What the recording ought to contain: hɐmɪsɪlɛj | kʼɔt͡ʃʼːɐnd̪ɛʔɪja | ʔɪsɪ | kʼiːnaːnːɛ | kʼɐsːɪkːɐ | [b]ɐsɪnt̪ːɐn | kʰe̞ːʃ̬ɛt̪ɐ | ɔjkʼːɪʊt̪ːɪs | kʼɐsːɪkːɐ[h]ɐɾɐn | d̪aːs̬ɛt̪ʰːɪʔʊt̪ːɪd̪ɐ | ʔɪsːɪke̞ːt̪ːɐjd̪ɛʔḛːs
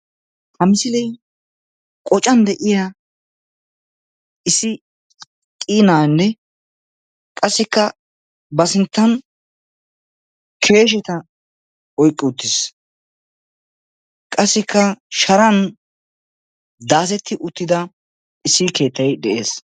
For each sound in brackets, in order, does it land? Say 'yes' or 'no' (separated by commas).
yes, no